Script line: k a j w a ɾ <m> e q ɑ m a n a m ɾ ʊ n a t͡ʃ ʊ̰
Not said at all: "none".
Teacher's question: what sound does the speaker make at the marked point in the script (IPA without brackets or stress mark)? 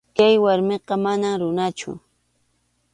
m